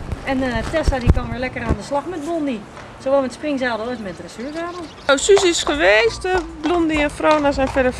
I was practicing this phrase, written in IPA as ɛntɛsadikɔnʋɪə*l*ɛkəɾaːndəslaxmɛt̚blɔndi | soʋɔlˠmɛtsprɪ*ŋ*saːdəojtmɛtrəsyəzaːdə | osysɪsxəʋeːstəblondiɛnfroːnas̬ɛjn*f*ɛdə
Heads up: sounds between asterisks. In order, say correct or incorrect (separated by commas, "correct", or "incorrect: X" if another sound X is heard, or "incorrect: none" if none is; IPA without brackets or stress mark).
correct, correct, correct